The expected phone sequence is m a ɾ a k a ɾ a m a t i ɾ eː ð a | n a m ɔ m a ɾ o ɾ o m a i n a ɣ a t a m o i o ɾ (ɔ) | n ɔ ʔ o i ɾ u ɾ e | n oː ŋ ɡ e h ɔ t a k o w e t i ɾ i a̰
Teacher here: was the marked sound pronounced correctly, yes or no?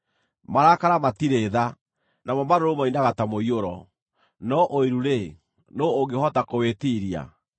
yes